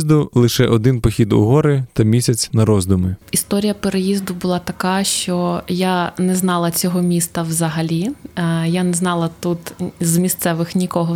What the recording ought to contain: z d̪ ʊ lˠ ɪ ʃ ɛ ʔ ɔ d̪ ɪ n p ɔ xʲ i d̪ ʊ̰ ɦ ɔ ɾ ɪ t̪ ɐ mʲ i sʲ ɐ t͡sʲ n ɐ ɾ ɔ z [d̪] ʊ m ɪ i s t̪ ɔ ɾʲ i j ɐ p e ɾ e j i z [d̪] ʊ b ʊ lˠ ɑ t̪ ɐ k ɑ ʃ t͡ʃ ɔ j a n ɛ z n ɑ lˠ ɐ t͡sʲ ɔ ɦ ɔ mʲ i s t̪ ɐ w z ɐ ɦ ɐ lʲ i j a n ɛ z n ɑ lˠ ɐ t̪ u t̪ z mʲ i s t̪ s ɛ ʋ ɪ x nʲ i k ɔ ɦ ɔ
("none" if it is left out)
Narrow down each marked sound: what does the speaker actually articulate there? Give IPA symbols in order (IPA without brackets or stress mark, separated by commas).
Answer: d̪, d̪